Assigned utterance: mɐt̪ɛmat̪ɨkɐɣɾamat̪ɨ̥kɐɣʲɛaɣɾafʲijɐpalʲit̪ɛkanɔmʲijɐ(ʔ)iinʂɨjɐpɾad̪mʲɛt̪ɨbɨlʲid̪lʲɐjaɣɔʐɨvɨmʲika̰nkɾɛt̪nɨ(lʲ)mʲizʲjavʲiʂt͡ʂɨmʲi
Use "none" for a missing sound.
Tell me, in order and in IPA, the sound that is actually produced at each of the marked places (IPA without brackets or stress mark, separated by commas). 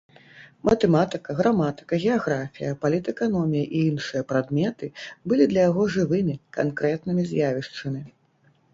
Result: ʔ, none